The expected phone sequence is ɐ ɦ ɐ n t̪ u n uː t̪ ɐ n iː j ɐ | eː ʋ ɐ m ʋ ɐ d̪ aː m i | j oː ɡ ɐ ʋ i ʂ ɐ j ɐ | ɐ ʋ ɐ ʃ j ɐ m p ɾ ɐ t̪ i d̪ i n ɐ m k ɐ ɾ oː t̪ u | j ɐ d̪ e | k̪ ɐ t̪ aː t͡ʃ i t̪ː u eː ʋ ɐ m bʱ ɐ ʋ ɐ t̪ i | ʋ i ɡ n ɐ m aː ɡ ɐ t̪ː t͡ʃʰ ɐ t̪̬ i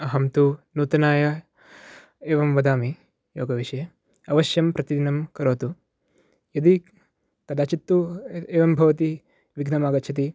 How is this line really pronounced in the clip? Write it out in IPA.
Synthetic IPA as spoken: ɐ ɦ ɐ m t̪ u n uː t̪ ɐ n aː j ɐ | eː ʋ ɐ m ʋ ɐ d̪ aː m i | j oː ɡ ɐ ʋ i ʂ ɐ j ɐ | ɐ ʋ ɐ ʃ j ɐ m p ɾ ɐ t̪ i d̪ i n ɐ m k ɐ ɾ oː t̪ u | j ɐ d̪ i | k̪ ɐ d̪ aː t͡ʃ i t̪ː u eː ʋ ɐ m bʱ ɐ ʋ ɐ t̪ i | ʋ i ɡ n ɐ m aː ɡ ɐ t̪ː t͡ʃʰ ɐ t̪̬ i